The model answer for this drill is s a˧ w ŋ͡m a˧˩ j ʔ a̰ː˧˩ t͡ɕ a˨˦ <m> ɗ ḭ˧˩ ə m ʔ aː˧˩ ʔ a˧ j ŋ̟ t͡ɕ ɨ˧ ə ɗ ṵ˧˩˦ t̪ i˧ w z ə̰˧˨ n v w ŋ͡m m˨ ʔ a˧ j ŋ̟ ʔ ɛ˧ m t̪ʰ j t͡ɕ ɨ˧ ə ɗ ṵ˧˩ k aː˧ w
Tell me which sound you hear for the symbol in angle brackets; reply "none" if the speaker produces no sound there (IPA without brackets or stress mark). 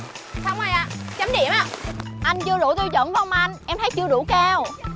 m